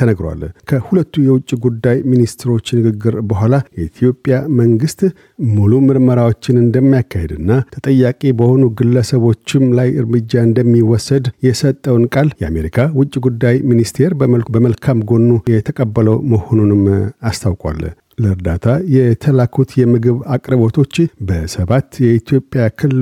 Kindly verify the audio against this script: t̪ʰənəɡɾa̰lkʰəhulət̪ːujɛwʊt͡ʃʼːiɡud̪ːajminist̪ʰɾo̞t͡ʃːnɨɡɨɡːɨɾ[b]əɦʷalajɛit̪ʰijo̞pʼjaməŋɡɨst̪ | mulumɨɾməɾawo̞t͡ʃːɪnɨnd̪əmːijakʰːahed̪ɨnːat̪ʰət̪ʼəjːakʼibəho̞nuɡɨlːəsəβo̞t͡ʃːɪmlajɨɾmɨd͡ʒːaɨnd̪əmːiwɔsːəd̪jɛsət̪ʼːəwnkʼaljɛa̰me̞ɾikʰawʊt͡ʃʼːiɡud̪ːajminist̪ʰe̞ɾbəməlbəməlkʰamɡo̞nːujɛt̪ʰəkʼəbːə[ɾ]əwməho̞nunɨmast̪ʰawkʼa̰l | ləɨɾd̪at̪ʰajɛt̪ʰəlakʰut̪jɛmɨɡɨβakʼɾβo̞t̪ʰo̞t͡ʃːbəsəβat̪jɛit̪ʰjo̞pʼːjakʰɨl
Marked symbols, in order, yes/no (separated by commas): yes, no